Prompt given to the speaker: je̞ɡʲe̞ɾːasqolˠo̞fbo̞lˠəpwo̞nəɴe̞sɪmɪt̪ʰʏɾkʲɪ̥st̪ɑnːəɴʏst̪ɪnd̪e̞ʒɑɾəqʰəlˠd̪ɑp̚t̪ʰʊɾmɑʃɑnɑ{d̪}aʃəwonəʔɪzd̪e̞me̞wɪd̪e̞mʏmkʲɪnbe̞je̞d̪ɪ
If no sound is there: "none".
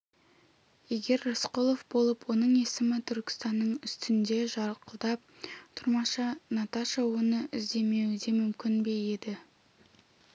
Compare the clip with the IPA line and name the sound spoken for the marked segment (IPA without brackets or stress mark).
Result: t̪